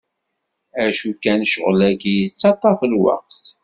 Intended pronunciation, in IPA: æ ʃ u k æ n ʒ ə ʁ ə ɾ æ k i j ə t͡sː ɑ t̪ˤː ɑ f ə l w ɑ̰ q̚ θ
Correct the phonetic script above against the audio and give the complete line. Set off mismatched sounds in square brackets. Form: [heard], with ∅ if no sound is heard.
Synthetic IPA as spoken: æ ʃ u k æ n [ʃ] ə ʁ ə [l] æ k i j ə t͡sː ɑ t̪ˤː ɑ f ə l w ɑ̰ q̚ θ